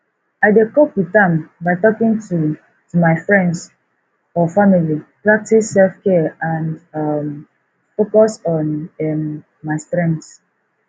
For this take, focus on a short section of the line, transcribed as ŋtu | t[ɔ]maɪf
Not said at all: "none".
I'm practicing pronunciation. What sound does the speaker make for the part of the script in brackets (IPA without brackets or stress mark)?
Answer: u